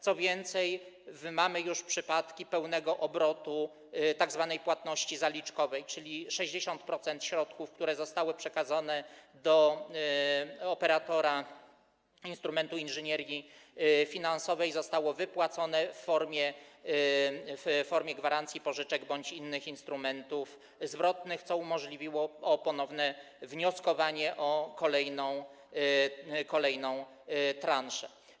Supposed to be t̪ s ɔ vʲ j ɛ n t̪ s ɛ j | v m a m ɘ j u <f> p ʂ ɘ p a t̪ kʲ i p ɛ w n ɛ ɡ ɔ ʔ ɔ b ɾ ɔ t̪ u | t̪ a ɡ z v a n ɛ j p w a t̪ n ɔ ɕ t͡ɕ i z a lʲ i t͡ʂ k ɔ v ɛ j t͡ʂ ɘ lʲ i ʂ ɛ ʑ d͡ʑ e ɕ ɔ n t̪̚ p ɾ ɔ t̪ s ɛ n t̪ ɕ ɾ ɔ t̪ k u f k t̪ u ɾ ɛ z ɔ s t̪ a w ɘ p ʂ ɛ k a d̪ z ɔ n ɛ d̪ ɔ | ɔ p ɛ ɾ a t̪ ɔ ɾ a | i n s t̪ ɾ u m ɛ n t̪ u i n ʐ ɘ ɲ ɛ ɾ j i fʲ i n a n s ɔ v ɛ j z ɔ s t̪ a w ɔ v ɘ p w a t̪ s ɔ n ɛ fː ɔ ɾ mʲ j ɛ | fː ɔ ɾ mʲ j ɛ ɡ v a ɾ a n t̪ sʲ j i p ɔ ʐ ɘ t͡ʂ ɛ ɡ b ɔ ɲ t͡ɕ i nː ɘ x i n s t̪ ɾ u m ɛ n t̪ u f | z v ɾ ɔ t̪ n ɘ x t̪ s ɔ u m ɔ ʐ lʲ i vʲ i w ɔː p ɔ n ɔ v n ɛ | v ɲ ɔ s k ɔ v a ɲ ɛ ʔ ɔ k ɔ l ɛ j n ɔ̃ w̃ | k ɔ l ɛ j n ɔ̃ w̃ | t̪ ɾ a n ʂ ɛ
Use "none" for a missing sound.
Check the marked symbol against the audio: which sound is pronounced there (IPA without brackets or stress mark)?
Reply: ʂ